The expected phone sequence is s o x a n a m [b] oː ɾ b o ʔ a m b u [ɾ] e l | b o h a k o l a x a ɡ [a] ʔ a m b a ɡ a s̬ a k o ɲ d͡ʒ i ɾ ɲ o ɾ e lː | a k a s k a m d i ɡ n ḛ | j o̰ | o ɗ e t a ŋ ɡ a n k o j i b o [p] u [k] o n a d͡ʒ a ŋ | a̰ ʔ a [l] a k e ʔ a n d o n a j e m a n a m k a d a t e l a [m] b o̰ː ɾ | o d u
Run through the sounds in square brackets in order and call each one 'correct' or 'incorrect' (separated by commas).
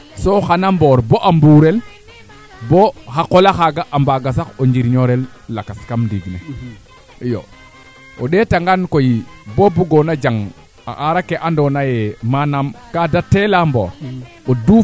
correct, correct, correct, incorrect, incorrect, incorrect, correct